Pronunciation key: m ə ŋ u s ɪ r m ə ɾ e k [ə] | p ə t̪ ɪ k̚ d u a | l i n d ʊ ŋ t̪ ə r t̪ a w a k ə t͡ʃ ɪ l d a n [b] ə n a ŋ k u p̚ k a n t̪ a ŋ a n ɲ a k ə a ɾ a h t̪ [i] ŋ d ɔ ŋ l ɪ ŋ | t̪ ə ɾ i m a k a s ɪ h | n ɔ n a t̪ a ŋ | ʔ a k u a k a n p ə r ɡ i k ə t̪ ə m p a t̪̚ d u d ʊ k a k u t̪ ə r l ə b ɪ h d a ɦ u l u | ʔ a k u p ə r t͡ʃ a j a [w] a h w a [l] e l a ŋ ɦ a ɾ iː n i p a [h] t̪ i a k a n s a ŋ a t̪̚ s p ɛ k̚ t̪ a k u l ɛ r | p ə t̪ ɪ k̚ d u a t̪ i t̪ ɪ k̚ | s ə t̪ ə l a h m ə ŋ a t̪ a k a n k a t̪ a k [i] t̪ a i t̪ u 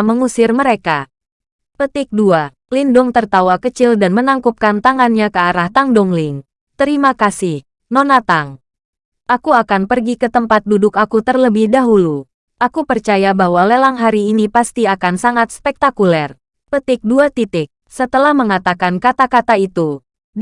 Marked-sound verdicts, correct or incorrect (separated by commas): incorrect, incorrect, incorrect, incorrect, correct, incorrect, incorrect